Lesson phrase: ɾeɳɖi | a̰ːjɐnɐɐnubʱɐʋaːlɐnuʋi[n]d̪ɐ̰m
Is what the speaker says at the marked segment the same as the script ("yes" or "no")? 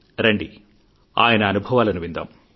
yes